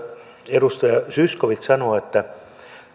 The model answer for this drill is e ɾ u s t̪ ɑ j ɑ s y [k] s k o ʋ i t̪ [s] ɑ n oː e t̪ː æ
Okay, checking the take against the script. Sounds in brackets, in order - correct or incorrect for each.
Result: incorrect: none, correct

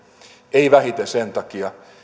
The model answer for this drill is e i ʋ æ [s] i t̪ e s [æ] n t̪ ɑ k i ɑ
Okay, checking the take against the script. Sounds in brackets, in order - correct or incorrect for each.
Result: incorrect: h, incorrect: e

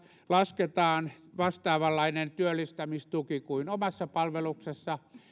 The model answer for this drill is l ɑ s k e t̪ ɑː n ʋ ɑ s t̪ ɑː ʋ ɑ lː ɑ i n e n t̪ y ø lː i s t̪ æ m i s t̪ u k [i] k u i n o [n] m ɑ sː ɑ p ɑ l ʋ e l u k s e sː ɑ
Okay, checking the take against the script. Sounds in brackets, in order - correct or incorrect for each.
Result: correct, incorrect: none

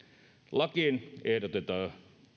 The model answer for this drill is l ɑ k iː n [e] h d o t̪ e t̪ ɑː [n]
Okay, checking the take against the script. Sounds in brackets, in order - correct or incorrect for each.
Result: correct, incorrect: none

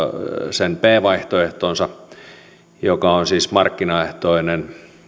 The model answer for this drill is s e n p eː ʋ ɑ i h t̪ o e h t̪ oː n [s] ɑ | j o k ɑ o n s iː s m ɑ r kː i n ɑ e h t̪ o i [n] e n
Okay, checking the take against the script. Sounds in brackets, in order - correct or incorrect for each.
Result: correct, correct

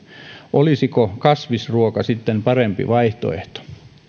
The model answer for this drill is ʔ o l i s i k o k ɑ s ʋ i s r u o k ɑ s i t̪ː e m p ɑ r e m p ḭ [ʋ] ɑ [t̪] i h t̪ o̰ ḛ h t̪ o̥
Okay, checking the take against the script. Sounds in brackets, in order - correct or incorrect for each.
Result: correct, incorrect: none

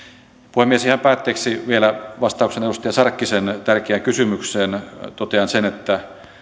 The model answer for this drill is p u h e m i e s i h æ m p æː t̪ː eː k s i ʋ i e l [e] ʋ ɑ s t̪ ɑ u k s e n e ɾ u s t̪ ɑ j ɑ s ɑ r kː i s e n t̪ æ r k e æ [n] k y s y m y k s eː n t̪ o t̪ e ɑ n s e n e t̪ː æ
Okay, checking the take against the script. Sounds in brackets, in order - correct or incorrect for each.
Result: incorrect: æ, incorrect: ŋ

